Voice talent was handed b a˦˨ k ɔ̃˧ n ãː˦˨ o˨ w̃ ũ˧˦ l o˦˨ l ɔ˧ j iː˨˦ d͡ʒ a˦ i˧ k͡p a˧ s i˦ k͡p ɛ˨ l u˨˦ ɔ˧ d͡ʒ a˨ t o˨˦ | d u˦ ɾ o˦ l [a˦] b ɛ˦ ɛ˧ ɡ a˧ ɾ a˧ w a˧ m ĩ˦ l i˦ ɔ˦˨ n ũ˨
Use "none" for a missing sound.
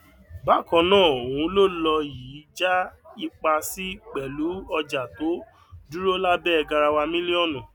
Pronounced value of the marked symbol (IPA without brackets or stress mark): a˦